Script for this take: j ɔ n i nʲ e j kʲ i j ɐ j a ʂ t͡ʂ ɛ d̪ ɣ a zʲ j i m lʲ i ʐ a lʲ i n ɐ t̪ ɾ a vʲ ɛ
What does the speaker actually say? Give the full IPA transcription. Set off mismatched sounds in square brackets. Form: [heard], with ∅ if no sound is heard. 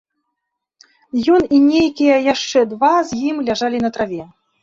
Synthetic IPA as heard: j ɔ n i nʲ e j kʲ i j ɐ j a ʂ t͡ʂ ɛ d̪ [v] a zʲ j i m lʲ [a] ʐ a lʲ i n ɐ t̪ ɾ a vʲ ɛ